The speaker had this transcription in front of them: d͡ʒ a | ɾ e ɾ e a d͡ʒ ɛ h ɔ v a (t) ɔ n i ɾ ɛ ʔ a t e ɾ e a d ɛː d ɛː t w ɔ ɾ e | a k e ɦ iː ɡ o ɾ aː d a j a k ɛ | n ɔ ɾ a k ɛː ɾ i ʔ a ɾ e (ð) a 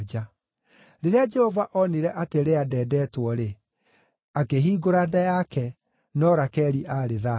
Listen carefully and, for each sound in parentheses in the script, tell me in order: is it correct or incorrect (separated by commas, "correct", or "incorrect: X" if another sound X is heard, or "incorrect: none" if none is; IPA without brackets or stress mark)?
incorrect: ʔ, correct